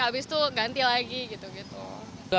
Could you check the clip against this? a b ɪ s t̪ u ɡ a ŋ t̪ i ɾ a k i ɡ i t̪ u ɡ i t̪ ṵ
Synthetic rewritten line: a b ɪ s t̪ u ɡ a n t̪ i l a ɡ i ɡ i t̪ u ɡ i t̪ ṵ